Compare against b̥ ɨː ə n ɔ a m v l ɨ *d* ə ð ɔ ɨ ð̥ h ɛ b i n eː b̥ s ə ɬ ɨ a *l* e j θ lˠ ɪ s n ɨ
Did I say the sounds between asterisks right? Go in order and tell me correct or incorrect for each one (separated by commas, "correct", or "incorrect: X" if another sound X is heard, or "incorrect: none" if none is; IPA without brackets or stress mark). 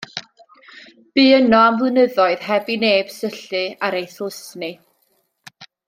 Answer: incorrect: n, incorrect: ɾ